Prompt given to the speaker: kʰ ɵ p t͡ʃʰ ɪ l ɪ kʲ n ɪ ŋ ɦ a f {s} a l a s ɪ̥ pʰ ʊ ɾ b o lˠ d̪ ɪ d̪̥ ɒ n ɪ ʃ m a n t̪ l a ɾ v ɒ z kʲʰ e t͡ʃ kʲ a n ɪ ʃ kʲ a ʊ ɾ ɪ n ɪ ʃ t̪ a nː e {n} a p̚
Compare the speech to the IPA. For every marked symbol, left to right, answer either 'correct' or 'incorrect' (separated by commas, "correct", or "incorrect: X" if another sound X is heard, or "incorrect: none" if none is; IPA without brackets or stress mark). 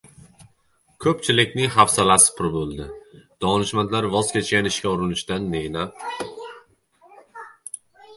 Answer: correct, correct